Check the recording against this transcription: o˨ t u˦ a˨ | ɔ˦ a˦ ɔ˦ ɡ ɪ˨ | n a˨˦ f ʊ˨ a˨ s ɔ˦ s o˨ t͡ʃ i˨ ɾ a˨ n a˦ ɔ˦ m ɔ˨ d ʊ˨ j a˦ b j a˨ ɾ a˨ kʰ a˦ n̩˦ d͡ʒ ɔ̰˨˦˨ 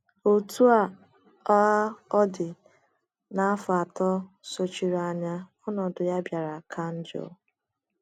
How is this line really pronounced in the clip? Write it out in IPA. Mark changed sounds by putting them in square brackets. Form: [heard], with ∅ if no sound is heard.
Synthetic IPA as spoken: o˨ t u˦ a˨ | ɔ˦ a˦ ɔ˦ [d] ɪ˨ | n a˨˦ f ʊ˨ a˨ [t] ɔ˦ s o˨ t͡ʃ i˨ ɾ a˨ [ɲ] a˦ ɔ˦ [n] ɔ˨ d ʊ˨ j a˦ b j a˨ ɾ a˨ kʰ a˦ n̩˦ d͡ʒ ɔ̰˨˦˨